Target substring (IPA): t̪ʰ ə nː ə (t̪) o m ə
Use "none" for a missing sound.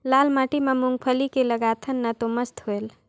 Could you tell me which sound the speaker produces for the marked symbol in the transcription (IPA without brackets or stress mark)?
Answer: t̪